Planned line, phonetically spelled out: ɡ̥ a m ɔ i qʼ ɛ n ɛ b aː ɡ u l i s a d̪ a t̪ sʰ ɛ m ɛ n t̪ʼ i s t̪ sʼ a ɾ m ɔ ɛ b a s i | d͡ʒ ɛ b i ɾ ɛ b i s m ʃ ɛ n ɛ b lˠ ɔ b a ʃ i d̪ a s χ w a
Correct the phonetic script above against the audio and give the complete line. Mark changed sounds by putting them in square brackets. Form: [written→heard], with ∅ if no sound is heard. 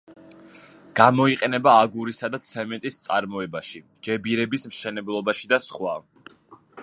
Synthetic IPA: ɡ̥ a m ɔ i qʼ ɛ n ɛ b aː ɡ u [l→ɾ] i s a d̪ a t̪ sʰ ɛ m ɛ n t̪ʼ i s t̪ sʼ a ɾ m ɔ ɛ b a [s→ʃ] i | d͡ʒ ɛ b i ɾ ɛ b i s m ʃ ɛ n ɛ b lˠ ɔ b a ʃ i d̪ a s χ w a